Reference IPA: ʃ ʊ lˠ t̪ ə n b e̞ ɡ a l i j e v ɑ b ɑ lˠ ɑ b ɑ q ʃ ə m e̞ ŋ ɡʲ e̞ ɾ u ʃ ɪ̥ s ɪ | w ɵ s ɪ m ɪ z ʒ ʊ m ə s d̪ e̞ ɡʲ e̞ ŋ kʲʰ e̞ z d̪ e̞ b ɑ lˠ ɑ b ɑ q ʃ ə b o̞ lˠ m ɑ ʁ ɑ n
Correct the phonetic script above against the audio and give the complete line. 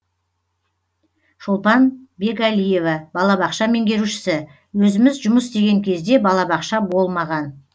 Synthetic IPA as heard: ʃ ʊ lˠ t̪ ɑ n b e̞ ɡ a l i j e v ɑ b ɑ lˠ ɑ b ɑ q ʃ ɑ m e̞ ŋ ɡʲ e̞ ɾ u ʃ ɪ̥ s ɪ | w ɵ z ɪ m ɪ z ʒ ʊ m ə s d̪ e̞ ɡʲ e̞ ŋ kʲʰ e̞ z d̪ e̞ b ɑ lˠ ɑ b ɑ q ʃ ɑ b o̞ lˠ m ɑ ʁ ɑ n